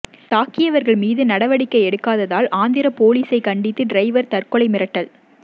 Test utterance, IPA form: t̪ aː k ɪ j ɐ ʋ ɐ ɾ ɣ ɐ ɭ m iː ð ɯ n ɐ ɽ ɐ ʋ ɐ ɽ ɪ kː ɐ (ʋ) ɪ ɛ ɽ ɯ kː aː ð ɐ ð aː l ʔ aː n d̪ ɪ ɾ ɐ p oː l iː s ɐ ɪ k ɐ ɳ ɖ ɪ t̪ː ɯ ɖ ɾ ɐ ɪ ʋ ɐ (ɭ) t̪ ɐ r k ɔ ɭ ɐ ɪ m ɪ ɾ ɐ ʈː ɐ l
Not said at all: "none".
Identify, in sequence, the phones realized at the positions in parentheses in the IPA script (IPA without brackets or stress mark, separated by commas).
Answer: none, ɾ